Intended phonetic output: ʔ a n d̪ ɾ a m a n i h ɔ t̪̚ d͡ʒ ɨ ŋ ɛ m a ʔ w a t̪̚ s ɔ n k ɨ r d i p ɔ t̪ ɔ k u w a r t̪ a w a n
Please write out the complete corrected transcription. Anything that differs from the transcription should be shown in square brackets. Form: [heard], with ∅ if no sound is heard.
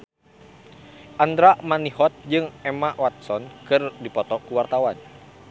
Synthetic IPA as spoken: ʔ a n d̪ ɾ a m a n i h ɔ t̪̚ d͡ʒ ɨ ŋ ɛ m a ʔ w a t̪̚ s ɔ n k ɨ r d i p ɔ t̪ ɔ k u w a r t̪ a w a n